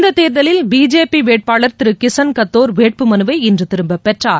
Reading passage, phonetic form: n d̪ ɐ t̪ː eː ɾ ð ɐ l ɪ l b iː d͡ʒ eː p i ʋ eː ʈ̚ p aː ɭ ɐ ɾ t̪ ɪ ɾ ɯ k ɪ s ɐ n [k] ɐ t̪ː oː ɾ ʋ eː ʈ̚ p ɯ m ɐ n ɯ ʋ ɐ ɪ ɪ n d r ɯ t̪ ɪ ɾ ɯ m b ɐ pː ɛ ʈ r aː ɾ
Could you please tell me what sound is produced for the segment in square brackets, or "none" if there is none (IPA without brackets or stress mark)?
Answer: k